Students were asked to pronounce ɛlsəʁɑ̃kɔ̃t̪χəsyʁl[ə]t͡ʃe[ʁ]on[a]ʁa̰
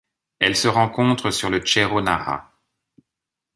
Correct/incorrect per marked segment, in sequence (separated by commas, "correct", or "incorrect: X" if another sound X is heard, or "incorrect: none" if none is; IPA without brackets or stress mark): correct, correct, correct